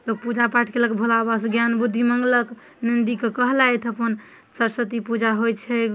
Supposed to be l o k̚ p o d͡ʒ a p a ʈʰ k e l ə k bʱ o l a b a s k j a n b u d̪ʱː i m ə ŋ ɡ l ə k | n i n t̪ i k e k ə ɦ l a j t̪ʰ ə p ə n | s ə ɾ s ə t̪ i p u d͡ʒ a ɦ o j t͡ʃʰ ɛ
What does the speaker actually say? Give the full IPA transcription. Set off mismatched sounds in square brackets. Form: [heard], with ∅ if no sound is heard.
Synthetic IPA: l o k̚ p [u] d͡ʒ a p a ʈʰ k e l ə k bʱ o l a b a s [ɡ] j a n b u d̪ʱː i m ə ŋ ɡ l ə k | n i n [d̪] i k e k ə ɦ l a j t̪ʰ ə p ə n | s ə ɾ s ə t̪ i p u d͡ʒ a ɦ o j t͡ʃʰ ɛ